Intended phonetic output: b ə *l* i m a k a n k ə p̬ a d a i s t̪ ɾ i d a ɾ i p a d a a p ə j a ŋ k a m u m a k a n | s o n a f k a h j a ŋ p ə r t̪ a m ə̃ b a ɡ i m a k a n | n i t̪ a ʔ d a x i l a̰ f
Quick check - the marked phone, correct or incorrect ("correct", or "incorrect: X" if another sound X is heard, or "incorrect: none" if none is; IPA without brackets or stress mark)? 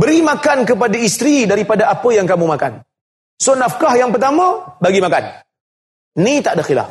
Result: incorrect: ɾ